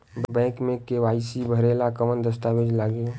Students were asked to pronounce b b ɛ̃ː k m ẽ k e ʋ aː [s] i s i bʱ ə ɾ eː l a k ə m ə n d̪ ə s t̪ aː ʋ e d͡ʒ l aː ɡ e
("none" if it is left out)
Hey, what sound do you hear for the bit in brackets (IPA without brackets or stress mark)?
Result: none